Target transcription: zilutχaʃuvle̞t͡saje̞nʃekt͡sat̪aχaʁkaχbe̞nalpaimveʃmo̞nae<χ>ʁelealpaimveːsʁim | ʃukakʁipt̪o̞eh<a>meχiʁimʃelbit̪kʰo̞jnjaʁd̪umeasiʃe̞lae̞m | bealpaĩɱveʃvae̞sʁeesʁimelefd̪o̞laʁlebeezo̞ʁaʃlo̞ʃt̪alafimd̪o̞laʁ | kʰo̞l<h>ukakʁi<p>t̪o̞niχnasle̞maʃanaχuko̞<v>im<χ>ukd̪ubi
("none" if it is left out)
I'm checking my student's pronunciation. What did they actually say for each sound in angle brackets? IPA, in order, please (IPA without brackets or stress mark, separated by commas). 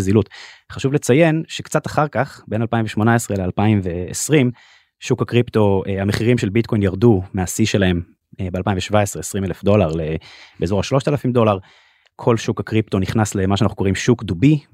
s, a, ʃ, p, ʁ, ʃ